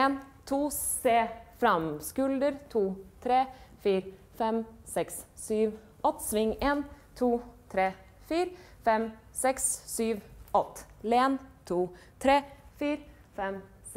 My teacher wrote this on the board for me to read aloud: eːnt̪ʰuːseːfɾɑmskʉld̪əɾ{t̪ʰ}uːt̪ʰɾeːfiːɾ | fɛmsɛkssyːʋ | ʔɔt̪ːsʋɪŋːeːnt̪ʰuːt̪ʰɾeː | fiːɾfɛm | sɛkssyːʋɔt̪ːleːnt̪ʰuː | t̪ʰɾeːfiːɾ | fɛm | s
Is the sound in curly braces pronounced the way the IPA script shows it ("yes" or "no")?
yes